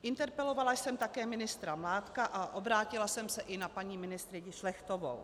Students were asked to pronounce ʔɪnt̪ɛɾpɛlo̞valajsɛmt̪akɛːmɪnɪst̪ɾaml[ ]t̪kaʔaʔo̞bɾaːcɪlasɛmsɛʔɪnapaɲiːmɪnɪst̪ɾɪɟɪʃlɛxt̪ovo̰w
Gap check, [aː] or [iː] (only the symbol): aː